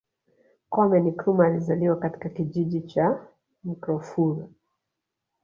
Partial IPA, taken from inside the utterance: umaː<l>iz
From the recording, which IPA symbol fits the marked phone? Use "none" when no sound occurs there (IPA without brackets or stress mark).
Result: l